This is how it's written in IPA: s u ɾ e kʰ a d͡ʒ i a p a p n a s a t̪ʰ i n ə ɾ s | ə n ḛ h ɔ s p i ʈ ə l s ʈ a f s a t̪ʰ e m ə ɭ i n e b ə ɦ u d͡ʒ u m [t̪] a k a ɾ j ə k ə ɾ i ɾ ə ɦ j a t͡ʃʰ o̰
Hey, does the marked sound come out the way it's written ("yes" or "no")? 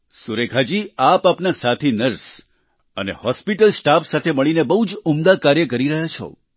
no